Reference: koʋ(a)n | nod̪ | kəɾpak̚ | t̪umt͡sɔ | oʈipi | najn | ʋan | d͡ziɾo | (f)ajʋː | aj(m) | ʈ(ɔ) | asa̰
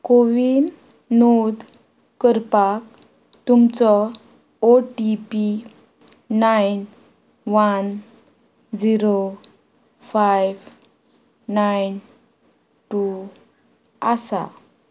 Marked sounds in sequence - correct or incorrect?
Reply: incorrect, correct, incorrect, incorrect

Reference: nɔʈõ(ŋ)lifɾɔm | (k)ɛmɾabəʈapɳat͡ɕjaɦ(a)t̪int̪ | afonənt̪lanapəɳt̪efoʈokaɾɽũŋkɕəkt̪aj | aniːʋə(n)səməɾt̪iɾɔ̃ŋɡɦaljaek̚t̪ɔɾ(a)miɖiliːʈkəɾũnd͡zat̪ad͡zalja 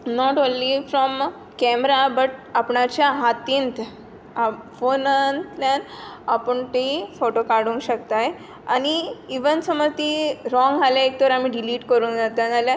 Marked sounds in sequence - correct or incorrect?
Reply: incorrect, correct, correct, correct, correct

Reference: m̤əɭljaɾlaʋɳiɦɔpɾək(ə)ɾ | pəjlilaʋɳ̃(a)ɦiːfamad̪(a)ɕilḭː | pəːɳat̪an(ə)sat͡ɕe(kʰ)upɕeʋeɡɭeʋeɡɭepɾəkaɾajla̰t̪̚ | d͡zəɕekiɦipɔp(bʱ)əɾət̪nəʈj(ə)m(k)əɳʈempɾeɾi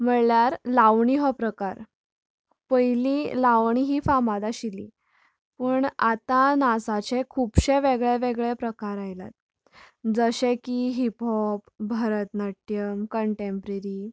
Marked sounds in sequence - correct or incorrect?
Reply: incorrect, incorrect, correct, incorrect, correct, correct, correct, correct

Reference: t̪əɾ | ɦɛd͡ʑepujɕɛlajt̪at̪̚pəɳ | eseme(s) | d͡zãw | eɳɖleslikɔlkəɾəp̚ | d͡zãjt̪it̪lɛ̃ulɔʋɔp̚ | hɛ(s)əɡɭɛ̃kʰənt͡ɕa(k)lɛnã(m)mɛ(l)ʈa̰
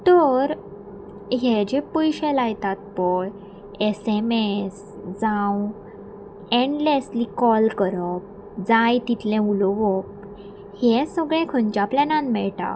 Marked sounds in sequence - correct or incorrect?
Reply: correct, correct, incorrect, incorrect, incorrect

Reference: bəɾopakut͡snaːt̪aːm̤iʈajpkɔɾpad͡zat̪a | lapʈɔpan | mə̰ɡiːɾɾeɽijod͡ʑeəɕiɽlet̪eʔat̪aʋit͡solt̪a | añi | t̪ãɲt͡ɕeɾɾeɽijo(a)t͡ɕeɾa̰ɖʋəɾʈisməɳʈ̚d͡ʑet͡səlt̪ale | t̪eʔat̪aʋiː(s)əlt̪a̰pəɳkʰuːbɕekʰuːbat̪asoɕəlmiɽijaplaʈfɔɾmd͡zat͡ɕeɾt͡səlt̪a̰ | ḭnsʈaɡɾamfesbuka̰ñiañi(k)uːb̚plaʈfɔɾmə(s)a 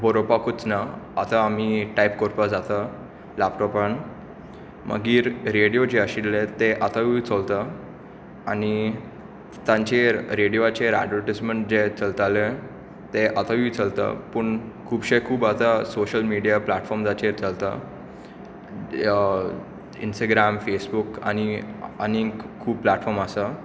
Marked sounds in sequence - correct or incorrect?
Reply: correct, incorrect, incorrect, correct

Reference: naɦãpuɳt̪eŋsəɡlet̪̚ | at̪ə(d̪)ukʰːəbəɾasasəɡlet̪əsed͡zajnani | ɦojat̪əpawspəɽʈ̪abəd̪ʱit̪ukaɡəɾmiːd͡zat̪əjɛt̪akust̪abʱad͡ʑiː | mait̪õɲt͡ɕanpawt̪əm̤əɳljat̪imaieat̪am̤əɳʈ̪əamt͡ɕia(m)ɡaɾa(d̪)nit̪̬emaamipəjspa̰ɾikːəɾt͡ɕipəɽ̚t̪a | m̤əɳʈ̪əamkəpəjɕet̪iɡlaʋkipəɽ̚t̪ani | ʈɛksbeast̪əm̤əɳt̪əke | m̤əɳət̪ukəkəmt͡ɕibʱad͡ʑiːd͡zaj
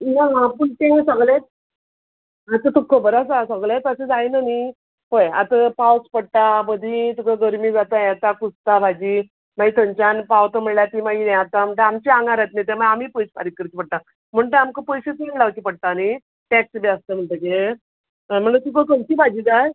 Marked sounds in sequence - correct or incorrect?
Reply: incorrect, incorrect, incorrect

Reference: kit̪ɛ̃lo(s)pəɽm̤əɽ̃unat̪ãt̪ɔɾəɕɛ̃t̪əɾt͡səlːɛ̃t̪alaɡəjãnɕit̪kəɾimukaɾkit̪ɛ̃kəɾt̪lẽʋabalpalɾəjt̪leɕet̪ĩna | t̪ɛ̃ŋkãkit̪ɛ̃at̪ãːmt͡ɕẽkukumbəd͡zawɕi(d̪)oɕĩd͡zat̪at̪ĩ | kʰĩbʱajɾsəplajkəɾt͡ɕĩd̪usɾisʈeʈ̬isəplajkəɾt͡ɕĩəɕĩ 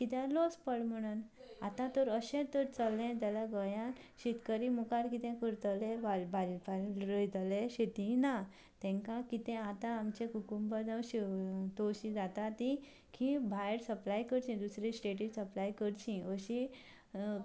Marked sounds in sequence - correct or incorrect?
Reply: correct, incorrect

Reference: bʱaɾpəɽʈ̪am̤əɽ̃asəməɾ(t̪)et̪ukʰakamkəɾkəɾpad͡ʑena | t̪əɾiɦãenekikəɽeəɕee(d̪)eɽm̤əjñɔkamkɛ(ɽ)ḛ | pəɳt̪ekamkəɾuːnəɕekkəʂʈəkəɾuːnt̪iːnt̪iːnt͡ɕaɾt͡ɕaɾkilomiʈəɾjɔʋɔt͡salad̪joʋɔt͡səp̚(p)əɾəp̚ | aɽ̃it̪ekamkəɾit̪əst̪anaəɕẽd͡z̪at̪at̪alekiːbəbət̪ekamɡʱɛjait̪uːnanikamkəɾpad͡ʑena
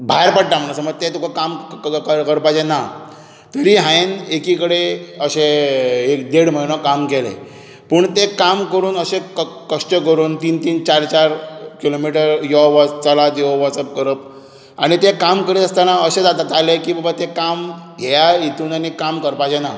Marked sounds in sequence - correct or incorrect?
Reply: correct, correct, incorrect, incorrect

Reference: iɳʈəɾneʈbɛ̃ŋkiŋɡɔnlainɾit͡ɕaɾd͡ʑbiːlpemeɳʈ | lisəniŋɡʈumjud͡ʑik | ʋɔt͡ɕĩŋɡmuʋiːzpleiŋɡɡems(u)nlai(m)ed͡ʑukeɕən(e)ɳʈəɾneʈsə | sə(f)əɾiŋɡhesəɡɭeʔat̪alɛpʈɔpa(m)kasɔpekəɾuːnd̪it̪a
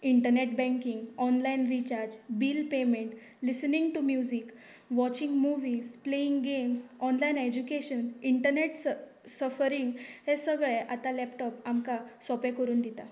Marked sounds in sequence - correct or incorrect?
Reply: incorrect, incorrect, incorrect, correct, correct

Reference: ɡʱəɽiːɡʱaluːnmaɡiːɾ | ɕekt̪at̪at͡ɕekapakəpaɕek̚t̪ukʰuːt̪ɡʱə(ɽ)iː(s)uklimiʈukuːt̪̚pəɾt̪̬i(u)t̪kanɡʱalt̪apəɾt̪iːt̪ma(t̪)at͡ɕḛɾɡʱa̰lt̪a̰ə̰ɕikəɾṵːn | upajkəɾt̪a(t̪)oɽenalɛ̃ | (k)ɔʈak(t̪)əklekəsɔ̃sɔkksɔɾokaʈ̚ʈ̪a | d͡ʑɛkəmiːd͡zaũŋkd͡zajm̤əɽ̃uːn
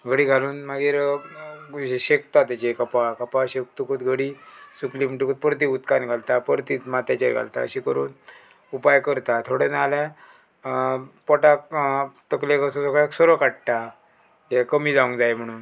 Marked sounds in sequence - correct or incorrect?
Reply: correct, correct, correct, correct, incorrect, incorrect, correct

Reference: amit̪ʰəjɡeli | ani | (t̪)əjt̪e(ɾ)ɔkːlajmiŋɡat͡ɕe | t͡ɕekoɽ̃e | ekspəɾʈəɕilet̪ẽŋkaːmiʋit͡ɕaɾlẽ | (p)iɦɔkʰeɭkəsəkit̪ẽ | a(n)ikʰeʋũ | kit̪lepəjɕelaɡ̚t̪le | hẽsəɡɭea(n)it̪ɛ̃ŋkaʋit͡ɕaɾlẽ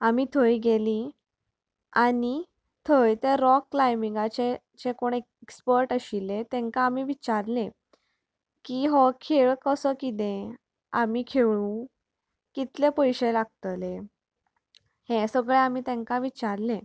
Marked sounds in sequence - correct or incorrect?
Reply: incorrect, correct, incorrect, incorrect, incorrect

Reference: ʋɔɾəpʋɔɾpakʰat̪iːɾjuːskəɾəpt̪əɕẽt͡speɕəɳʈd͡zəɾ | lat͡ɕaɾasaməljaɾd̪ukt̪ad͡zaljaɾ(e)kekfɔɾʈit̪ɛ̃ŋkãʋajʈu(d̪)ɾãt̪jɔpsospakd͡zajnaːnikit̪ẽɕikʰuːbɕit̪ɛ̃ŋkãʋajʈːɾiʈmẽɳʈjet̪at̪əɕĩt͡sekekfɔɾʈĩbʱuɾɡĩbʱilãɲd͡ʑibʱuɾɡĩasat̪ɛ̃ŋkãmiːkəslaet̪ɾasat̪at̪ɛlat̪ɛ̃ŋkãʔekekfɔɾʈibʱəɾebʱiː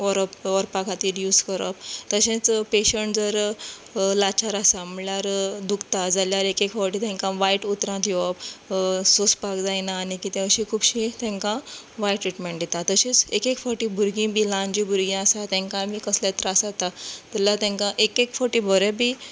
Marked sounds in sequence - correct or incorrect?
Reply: correct, incorrect

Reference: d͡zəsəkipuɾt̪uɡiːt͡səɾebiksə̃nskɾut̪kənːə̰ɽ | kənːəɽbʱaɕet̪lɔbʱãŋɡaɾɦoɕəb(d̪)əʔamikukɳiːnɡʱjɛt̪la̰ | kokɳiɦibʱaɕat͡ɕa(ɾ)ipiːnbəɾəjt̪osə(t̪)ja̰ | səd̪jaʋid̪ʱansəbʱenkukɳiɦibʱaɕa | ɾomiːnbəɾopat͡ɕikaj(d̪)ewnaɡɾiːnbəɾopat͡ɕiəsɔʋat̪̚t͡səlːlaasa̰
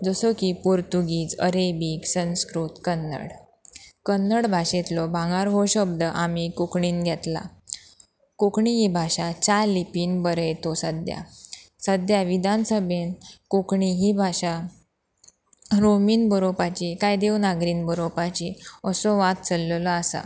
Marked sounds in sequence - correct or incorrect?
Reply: correct, incorrect, incorrect, correct

